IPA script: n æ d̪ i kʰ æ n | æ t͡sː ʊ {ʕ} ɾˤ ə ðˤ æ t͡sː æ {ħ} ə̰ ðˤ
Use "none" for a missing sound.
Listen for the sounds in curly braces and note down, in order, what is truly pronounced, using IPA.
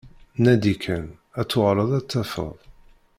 ʁ, f

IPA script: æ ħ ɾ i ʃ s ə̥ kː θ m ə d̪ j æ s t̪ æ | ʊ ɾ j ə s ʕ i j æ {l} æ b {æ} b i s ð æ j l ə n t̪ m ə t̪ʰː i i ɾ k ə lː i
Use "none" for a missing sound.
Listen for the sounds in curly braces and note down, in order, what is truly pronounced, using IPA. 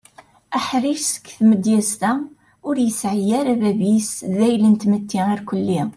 ɾ, æ

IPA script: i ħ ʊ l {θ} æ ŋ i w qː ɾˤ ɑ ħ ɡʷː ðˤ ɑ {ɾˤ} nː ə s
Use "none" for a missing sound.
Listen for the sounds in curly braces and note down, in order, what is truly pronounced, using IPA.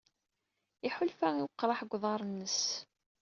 f, ɾˤ

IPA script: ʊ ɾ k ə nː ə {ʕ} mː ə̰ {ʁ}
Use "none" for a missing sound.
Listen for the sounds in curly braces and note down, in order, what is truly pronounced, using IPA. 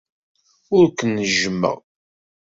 ʒ, ʁ

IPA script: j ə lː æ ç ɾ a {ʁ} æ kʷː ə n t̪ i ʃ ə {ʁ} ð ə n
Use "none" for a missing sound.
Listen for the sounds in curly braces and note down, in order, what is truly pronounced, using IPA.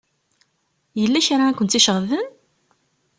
none, ʁ

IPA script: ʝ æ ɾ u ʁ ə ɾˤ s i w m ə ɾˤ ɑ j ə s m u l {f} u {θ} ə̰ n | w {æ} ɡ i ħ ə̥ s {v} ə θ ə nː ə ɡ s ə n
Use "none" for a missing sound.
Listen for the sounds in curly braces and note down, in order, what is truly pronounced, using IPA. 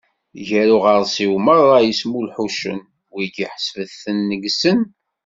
ħ, ʃ, i, v

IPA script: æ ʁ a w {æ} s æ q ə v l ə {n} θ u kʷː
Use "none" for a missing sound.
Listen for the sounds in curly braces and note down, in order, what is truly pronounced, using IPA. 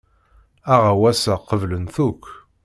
æ, n

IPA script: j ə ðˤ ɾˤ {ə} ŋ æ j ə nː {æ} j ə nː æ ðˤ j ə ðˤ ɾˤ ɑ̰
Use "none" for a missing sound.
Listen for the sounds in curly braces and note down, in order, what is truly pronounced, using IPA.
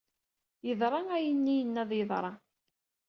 ɑ, i

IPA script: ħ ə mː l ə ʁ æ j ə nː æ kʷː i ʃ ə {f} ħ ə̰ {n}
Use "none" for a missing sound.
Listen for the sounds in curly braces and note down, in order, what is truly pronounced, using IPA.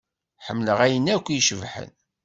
v, n

